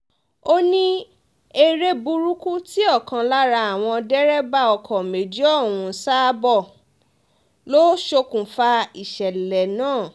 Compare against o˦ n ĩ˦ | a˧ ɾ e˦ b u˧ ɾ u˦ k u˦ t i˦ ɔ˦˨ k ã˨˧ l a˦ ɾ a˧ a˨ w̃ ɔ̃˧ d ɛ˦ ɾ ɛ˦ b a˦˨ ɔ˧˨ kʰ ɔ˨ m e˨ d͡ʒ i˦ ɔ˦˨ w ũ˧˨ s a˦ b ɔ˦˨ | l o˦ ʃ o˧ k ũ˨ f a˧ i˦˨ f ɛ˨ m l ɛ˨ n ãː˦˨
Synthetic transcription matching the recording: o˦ n ĩ˦ | e˧ ɾ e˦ b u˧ ɾ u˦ k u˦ t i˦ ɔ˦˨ k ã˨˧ l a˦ ɾ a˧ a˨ w̃ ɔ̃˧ d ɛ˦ ɾ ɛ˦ b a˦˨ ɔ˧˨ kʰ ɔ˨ m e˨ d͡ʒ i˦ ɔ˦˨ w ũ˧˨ s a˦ b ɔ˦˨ | l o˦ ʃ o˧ k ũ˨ f a˧ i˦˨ ʃ ɛ˨ l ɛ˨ n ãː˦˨